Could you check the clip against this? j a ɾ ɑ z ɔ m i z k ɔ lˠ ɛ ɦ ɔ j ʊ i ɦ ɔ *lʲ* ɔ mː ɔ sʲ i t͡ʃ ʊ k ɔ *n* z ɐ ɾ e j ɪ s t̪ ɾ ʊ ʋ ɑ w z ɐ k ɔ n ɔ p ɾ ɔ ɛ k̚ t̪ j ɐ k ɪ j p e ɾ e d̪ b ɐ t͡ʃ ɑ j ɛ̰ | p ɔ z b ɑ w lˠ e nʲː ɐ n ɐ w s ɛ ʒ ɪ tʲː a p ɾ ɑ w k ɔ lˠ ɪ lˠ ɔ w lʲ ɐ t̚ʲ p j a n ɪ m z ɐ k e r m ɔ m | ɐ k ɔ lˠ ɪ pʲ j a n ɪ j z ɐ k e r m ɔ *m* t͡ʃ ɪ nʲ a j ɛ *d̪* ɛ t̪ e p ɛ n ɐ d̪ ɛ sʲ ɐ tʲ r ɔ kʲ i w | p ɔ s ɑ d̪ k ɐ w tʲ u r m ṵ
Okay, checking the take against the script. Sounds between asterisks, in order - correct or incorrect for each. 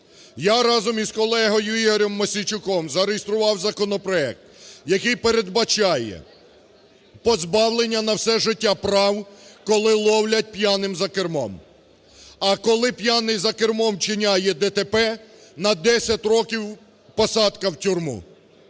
incorrect, incorrect, correct, correct

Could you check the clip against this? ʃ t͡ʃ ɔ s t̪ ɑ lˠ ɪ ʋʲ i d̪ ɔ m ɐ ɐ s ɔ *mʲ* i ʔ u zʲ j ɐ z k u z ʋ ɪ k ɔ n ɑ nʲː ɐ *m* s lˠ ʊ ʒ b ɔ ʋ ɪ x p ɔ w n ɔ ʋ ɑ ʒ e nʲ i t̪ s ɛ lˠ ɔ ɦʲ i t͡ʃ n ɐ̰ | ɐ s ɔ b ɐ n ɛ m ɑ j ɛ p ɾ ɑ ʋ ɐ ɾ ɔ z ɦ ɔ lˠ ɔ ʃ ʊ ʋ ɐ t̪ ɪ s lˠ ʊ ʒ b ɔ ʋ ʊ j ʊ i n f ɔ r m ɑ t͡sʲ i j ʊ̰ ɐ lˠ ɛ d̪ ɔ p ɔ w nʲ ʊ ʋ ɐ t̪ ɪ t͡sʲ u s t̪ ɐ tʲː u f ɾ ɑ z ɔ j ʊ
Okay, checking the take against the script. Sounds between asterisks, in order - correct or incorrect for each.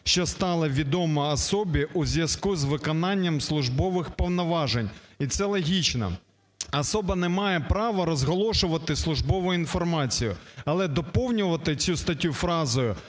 incorrect, correct

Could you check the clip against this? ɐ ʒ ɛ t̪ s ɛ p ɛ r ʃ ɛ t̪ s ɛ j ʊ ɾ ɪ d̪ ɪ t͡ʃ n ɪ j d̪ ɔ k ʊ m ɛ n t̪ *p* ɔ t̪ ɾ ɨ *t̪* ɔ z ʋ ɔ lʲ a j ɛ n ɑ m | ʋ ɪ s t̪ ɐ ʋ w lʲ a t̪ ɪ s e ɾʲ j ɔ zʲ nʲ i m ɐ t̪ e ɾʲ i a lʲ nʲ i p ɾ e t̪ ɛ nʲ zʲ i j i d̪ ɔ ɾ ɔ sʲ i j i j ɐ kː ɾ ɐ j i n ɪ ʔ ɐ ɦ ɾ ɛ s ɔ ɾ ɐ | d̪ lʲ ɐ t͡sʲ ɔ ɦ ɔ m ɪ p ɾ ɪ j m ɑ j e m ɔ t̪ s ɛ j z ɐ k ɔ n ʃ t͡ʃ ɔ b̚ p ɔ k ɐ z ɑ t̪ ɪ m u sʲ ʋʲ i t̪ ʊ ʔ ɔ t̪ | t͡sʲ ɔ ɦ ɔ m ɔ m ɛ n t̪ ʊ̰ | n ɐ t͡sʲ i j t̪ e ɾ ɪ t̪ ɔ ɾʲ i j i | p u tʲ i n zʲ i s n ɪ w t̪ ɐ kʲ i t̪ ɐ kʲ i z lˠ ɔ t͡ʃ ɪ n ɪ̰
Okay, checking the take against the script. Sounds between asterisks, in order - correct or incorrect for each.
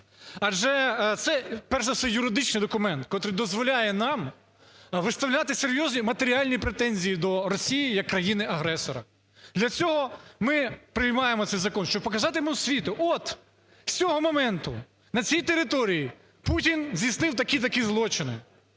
incorrect, incorrect

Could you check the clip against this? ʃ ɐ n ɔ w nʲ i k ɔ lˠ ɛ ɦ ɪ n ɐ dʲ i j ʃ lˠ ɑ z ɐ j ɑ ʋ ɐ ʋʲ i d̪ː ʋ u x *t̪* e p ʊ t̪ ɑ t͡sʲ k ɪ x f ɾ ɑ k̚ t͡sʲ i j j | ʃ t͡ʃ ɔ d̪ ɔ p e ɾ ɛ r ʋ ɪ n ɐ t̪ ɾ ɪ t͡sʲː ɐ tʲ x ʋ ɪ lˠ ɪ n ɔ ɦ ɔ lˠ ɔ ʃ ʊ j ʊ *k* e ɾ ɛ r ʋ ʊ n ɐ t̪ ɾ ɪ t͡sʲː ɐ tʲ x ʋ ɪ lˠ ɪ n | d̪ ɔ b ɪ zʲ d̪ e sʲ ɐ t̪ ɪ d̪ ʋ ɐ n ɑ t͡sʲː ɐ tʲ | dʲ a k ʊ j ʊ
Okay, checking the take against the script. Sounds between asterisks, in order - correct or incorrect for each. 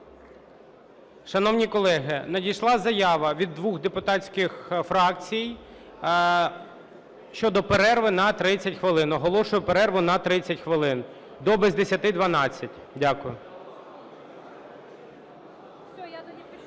incorrect, incorrect

